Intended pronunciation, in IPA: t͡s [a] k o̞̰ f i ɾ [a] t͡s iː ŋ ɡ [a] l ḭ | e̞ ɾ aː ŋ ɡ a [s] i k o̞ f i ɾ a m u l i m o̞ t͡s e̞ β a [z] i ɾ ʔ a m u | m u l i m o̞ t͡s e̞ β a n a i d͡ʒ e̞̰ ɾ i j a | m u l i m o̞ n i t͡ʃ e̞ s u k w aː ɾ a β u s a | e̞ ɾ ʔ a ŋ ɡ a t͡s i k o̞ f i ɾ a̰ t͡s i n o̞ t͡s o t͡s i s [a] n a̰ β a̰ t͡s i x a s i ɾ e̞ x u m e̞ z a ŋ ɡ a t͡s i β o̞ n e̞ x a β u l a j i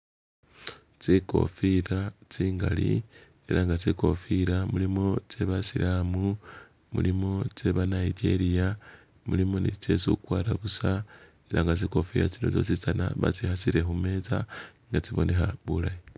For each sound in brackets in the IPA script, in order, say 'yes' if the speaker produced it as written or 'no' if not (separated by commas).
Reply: no, yes, yes, no, no, yes